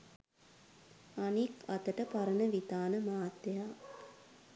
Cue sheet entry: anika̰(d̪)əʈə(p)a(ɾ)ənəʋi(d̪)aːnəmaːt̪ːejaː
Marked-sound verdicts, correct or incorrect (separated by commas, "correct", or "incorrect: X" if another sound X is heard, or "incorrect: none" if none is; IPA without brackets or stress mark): incorrect: t̪, correct, correct, incorrect: t̪